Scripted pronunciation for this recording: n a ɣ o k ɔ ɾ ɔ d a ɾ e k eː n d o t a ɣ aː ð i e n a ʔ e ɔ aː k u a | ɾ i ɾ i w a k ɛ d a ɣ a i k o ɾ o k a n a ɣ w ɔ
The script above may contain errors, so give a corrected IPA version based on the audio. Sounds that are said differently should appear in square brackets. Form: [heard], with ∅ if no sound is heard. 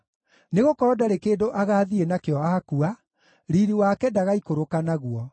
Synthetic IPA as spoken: n [e] ɣ o k ɔ ɾ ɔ d a ɾ e k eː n d o [ʔ] a ɣ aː ð i e n a [k] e ɔ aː k u a | ɾ i ɾ i w a k ɛ d a ɣ a i k o ɾ o k a n a ɣ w ɔ